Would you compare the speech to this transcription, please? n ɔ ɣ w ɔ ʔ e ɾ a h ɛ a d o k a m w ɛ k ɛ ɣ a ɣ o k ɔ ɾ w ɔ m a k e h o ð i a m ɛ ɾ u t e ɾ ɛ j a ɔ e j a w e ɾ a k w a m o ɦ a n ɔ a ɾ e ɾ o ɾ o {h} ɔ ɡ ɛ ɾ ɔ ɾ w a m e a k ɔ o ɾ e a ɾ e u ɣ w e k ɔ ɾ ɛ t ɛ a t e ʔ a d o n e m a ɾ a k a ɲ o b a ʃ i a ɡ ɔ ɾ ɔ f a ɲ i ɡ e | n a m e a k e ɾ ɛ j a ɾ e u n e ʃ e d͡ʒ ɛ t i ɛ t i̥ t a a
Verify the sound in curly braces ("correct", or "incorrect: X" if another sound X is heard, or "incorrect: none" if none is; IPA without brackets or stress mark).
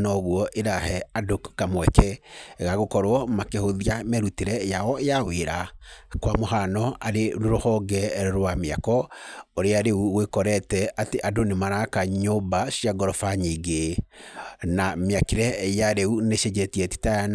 correct